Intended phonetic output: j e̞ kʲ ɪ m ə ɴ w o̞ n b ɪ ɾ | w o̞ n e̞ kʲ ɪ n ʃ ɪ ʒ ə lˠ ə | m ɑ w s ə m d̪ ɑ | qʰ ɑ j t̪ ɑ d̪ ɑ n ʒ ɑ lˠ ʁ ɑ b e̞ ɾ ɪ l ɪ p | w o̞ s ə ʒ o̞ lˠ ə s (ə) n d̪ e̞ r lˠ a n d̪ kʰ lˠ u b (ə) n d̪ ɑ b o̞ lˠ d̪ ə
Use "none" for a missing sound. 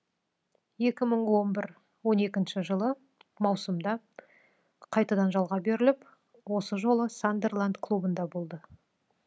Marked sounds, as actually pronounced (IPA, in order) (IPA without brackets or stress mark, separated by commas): a, ə